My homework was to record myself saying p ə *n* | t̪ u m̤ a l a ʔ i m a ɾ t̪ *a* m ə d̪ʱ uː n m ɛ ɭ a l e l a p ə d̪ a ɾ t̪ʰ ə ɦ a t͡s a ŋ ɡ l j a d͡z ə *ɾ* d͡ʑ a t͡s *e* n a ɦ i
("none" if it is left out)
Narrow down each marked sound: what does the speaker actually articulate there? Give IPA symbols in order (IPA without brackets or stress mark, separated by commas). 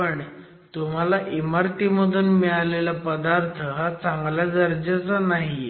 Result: ɳ, i, ɾ, a